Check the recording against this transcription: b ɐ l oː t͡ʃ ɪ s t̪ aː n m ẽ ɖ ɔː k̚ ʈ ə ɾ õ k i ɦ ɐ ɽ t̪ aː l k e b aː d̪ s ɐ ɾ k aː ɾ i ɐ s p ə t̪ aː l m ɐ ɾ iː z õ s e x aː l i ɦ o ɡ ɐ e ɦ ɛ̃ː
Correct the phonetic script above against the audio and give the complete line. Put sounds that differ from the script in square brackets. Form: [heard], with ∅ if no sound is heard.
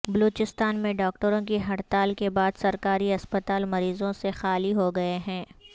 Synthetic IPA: b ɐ l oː t͡ʃ ɪ s t̪ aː n m ẽ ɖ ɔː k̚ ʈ ə ɾ õ k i ɦ ɐ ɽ t̪ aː l k e b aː d̪ s ɐ ɾ k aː ɾ i ɐ s p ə t̪ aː l m ɐ ɾ iː z õ s e x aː l i ɦ o ɡ ɐ e ɦ ɛ̃ː